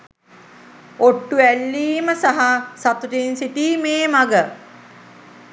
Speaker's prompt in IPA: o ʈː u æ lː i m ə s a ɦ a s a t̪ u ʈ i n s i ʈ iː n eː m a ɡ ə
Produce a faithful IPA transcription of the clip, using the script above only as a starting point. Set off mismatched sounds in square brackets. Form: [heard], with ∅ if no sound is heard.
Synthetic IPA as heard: o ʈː u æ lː [iː] m ə s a ɦ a s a t̪ u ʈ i n s i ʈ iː [m] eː m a ɡ ə